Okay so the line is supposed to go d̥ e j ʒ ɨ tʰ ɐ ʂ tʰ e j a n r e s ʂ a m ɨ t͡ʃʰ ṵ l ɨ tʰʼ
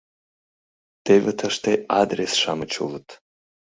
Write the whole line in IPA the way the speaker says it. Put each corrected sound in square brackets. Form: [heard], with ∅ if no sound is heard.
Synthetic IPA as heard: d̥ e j [v] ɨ tʰ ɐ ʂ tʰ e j a [d] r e s ʂ a m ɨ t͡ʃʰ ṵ l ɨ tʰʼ